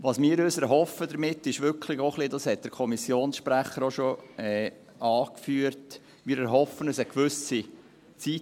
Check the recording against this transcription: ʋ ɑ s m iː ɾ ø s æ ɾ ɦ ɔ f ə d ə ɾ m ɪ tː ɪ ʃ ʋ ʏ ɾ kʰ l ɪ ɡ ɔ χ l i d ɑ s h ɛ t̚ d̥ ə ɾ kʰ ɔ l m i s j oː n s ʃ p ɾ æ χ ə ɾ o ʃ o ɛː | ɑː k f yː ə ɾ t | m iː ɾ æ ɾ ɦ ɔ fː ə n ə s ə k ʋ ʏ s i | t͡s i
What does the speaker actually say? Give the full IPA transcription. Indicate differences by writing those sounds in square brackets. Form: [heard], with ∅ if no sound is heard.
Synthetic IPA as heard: ʋ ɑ s m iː ɾ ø s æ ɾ ɦ ɔ f ə d ə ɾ m ɪ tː ɪ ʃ ʋ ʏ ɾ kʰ l ɪ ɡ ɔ χ l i d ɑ s h ɛ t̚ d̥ ə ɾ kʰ ɔ [∅] m i s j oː n s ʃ p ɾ æ χ ə ɾ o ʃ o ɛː | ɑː k f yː ə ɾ t | m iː ɾ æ ɾ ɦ ɔ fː ə n ə s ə k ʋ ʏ s i | t͡s i

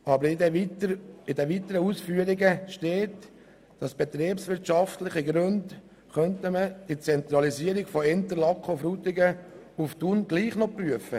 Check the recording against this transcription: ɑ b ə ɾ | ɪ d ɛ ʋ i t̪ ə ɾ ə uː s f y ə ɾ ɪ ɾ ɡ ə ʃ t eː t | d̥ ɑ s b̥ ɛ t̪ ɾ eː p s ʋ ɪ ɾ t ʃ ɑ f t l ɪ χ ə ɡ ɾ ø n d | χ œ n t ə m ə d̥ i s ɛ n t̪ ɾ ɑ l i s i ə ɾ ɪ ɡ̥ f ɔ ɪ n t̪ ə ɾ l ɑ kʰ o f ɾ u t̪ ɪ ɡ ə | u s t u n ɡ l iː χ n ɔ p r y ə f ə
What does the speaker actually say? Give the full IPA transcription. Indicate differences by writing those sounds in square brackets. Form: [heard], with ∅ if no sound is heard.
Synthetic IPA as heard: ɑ b ə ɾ | ɪ d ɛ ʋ i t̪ ə ɾ ə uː s f y ə ɾ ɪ [∅] ɡ ə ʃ t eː t | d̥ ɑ s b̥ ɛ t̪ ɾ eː p s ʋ ɪ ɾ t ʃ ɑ f t l ɪ χ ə ɡ ɾ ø n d | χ œ n t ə m ə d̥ i [t͡s] ɛ n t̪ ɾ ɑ l i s i ə ɾ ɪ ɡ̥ f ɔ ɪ n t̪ ə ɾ l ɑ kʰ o f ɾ u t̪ ɪ ɡ ə | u [f] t u n ɡ l iː χ n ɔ p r y ə f ə

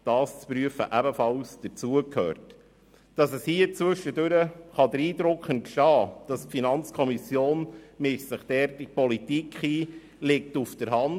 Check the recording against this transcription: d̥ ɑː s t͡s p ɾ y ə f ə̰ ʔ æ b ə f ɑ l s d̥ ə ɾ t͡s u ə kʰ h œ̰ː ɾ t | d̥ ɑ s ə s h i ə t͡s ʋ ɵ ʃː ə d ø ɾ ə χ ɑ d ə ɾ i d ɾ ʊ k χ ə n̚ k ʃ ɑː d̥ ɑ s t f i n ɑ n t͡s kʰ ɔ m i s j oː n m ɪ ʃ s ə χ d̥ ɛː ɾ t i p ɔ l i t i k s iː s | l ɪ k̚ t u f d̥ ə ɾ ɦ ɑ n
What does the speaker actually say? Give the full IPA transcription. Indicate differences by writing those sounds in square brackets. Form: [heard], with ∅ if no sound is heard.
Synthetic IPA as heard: d̥ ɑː s t͡s p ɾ y ə f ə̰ ʔ æ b ə f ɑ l s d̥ ə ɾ t͡s u ə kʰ h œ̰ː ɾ t | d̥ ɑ s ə s h i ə t͡s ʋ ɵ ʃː ə d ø ɾ ə χ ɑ d ə ɾ [iː] d ɾ ʊ k χ ə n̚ k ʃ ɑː d̥ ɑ s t f i n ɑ n t͡s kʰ ɔ m i s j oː n m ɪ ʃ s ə χ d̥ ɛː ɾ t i p ɔ l i t i k [χ] iː [∅] | l ɪ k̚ t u f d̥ ə ɾ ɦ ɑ n

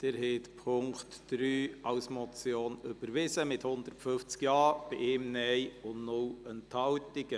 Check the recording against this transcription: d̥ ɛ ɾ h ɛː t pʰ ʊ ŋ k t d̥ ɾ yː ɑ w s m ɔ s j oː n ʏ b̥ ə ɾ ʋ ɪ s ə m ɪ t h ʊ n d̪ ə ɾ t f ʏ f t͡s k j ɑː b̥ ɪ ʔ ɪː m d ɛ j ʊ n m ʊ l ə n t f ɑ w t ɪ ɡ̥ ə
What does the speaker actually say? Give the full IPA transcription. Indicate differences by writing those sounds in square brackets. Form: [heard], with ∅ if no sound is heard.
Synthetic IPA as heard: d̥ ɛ ɾ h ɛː t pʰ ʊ ŋ k t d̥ ɾ yː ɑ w s m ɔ [t͡s] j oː n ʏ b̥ ə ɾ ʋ ɪ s ə m ɪ t h ʊ n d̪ ə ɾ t f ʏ f t͡s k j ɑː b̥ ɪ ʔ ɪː m [n] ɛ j ʊ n [n] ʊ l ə n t [h] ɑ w t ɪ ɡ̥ ə

